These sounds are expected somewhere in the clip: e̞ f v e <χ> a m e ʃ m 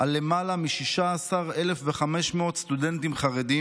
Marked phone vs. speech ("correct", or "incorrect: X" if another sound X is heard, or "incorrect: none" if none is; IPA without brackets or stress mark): correct